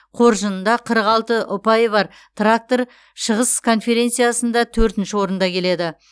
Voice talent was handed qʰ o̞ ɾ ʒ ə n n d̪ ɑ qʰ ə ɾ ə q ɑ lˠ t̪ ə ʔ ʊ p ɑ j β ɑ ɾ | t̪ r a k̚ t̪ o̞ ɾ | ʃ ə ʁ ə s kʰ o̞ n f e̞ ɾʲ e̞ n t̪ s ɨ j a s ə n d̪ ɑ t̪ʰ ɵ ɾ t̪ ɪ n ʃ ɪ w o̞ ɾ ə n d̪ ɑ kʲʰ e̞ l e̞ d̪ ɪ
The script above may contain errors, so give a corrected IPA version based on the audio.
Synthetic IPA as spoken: qʰ o̞ ɾ ʒ ə n n d̪ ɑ qʰ ə ɾ ə q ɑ lˠ t̪ ə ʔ ʊ p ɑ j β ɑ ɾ | t̪ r a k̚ t̪ o̞ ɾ | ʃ ə ʁ ə s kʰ o̞ n f e̞ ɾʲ e̞ n t̪ s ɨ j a s ə n d̪ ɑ t̪ʰ ɵ ɾ t̪ ɪ n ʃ ɪ w o̞ ɾ ə n d̪ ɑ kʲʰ e̞ l e̞ d̪ ɪ